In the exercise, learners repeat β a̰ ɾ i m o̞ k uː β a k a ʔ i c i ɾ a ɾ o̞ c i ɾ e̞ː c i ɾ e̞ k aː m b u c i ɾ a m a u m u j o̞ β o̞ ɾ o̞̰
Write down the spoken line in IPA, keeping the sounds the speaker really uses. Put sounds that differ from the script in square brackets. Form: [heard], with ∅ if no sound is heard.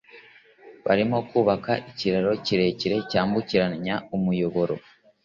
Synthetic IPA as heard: β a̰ ɾ i m o̞ k uː β a k a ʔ i c i ɾ a ɾ o̞ c i ɾ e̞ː c i ɾ e̞ [c] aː m b u c i ɾ a [ɲ] a u m u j o̞ β o̞ ɾ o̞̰